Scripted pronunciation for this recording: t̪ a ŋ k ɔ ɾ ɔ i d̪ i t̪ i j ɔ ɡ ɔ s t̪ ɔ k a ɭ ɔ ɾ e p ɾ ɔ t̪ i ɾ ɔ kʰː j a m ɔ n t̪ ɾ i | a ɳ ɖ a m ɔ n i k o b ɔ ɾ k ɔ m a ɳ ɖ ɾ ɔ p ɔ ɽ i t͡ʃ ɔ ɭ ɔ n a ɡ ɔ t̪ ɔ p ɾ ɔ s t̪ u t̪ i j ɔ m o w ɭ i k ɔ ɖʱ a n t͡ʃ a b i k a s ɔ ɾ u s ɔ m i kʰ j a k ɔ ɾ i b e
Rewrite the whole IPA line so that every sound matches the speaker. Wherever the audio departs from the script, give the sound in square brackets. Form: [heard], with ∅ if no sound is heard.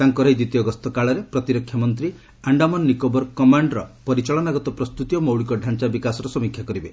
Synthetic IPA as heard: t̪ a ŋ k ɔ ɾ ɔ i d̪ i t̪ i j ɔ ɡ ɔ s t̪ ɔ k a ɭ ɔ ɾ e p ɾ ɔ t̪ i ɾ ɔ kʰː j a m ɔ n t̪ ɾ i | a ɳ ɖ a m ɔ [nː] i k o b ɔ ɾ k ɔ m a ɳ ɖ ɾ ɔ p ɔ [ɾ] i t͡ʃ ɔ ɭ ɔ n a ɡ ɔ t̪ ɔ p ɾ ɔ s t̪ u t̪ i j ɔ m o w ɭ i k ɔ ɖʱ a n t͡ʃ a b i k a s ɔ ɾ [ɔ] s ɔ m i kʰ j a k ɔ ɾ i b e